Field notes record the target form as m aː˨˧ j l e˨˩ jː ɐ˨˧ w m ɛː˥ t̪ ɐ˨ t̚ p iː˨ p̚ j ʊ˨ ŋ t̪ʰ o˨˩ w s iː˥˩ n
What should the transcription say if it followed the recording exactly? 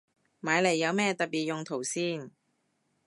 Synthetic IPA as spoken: m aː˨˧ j l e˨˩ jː ɐ˨˧ w m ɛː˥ t̪ ɐ˨ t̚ p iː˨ t̚ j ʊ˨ ŋ t̪ʰ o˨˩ w s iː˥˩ n